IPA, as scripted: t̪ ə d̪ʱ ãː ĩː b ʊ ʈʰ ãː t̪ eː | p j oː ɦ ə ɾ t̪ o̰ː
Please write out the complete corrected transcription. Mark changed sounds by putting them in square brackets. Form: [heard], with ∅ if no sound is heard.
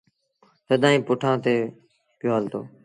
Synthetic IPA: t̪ ə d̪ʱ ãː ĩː [p] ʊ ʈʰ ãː t̪ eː | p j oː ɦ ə [l] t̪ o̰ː